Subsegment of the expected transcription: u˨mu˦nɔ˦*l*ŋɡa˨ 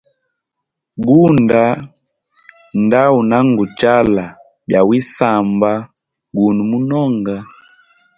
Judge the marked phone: incorrect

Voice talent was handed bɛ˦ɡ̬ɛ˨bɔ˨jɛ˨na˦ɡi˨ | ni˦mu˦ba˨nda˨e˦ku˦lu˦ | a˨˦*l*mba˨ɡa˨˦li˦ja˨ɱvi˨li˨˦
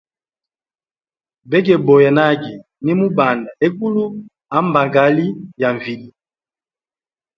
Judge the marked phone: incorrect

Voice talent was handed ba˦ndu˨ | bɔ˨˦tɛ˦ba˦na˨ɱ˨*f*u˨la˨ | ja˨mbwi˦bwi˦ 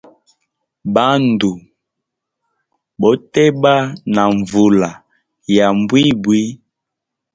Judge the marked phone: incorrect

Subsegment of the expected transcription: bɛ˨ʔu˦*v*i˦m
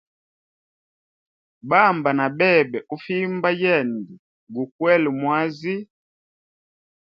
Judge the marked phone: incorrect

